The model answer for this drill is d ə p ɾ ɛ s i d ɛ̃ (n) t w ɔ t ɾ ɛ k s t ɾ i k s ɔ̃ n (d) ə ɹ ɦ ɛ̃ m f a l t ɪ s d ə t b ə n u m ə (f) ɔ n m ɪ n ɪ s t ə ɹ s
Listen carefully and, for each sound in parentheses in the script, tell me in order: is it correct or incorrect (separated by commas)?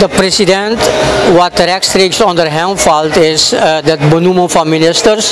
correct, correct, correct